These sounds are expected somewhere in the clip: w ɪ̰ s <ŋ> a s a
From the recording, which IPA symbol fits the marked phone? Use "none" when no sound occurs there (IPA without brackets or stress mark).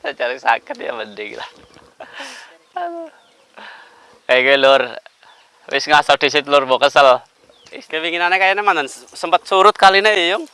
ŋ